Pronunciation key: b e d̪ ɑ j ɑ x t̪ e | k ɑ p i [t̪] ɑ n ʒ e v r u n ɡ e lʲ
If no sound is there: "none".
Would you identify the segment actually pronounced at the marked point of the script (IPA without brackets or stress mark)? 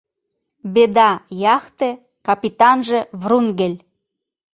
t̪